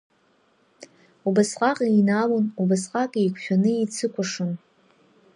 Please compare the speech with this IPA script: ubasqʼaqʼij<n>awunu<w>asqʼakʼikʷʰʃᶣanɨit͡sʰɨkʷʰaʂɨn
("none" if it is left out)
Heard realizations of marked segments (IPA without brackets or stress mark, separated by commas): n, b